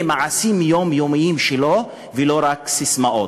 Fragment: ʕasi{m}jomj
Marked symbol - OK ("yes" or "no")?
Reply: yes